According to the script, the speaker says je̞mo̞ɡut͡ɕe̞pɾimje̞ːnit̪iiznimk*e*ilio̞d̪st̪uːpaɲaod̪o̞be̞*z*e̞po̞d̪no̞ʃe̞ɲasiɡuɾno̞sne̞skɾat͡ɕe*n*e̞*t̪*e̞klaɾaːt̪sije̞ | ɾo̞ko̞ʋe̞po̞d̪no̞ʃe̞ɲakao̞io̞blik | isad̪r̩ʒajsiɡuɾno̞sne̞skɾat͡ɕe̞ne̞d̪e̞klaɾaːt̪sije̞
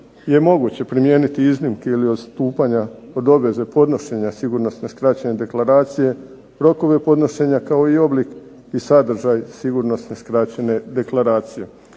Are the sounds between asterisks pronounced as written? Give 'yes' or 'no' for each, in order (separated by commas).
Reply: yes, yes, yes, no